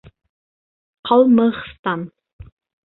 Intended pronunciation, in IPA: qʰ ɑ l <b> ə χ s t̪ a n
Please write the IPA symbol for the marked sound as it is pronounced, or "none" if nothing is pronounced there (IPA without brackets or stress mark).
m